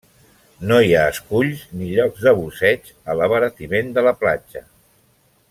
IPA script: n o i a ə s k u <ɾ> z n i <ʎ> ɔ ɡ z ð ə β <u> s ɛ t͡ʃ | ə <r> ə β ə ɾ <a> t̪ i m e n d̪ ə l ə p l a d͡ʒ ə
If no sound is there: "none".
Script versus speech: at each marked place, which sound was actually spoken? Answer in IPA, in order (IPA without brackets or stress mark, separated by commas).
ʎ, ʎ, u, l, ə